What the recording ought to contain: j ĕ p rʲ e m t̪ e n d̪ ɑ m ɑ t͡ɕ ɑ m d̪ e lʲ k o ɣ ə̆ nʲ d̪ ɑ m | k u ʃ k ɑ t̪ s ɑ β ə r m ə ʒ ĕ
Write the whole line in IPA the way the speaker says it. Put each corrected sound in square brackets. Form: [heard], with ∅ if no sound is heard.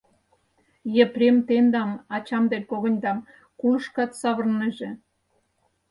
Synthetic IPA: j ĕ p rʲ e m t̪ e n d̪ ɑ m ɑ t͡ɕ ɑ m d̪ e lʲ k o ɣ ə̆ nʲ d̪ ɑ m | k u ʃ k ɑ t̪ s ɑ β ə r [n] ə ʒ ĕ